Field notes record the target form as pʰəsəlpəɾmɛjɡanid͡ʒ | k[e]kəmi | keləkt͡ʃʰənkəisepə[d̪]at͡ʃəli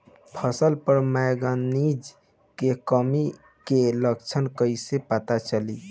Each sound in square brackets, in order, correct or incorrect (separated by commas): correct, incorrect